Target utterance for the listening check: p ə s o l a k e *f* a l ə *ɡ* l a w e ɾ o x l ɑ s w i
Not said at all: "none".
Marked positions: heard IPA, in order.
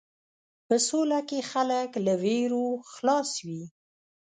x, k

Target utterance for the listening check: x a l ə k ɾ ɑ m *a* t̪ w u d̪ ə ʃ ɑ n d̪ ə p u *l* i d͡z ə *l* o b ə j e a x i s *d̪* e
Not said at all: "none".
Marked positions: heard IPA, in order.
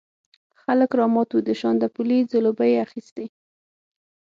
ɑ, l, l, t̪

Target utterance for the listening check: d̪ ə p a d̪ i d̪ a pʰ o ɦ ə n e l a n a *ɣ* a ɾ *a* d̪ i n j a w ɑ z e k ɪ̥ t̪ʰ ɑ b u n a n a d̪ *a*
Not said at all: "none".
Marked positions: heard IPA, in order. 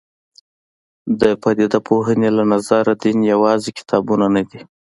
z, a, i

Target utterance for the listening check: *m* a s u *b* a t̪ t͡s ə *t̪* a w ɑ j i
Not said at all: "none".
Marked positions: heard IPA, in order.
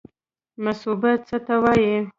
m, b, t̪

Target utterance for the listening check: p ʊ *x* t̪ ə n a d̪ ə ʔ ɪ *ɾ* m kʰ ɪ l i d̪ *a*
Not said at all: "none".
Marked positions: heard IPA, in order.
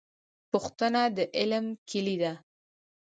x, l, a

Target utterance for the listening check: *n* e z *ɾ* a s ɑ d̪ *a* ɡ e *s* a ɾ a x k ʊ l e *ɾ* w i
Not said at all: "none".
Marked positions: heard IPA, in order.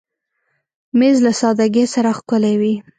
m, l, a, s, none

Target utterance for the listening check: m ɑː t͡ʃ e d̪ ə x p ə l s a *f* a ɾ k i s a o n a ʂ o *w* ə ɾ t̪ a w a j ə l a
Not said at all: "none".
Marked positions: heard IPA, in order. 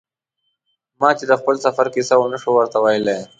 f, w

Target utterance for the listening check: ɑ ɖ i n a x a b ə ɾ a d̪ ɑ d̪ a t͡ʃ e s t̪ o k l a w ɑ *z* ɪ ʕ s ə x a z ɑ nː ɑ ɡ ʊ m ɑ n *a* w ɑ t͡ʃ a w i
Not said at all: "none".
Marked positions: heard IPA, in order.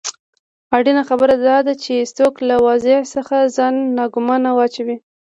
z, a

